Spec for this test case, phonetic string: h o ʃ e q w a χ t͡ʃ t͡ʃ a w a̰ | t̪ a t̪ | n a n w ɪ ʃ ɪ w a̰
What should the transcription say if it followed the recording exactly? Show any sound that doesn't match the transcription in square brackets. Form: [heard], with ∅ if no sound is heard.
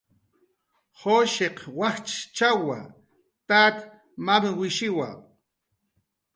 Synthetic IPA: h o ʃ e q w a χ t͡ʃ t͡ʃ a w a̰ | t̪ a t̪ | [m] a [m] w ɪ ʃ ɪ w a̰